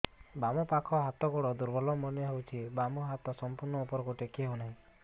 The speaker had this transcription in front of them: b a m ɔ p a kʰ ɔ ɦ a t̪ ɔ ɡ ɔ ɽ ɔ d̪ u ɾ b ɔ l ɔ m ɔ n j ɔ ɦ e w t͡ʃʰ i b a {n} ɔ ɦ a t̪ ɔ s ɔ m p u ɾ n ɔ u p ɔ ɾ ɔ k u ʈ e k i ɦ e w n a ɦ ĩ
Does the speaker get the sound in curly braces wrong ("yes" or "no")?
yes